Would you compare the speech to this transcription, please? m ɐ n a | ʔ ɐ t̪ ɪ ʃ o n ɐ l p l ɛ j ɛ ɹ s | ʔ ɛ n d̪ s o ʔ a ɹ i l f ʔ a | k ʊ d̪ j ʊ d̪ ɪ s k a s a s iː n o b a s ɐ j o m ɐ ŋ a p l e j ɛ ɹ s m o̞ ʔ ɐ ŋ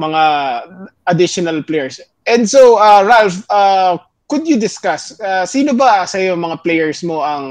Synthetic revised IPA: m ɐ ŋ a | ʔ ɐ d̪ ɪ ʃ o n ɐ l p l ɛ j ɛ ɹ s | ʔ ɛ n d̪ s o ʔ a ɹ a l f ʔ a | k ʊ d̪ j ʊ d̪ ɪ s k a s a s iː n o b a s ɐ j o m ɐ ŋ a p l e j ɛ ɹ s m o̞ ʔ ɐ ŋ